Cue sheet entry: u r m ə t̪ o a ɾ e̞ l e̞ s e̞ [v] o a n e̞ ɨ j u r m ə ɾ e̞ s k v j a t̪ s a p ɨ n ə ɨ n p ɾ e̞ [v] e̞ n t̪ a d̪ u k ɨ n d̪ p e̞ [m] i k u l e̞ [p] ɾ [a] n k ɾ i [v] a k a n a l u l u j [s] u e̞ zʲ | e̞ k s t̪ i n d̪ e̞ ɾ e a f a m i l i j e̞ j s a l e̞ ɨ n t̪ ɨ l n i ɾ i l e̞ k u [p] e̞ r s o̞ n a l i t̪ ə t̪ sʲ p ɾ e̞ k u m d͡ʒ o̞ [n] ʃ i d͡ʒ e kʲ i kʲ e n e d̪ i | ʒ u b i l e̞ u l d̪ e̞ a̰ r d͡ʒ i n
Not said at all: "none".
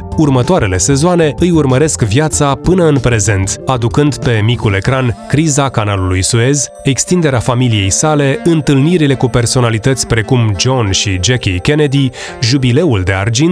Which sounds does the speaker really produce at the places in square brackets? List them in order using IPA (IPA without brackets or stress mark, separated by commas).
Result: z, z, m, k, a, z, s, p, n